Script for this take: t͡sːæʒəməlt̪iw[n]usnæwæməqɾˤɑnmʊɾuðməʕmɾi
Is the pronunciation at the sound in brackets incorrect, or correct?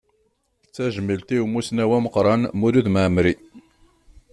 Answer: incorrect